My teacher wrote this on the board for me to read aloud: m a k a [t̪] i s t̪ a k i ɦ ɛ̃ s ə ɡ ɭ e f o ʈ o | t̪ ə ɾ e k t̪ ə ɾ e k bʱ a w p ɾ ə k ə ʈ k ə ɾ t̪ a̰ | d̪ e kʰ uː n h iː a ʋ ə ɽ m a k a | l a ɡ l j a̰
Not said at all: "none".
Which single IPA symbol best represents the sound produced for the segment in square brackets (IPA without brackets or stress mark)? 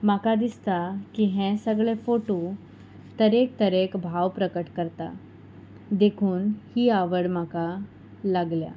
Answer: d̪